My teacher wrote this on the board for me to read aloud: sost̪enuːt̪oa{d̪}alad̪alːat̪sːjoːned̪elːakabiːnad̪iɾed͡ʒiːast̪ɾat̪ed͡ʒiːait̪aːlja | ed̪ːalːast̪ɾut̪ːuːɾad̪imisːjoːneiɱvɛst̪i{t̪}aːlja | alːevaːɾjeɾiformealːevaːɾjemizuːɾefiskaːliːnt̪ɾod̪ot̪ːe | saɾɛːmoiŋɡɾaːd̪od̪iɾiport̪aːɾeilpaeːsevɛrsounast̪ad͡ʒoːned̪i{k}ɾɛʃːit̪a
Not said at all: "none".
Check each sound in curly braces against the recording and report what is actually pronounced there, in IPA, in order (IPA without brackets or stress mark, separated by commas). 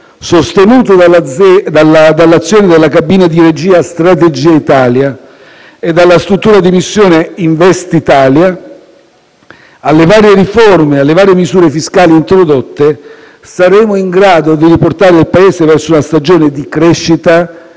d̪, t̪, k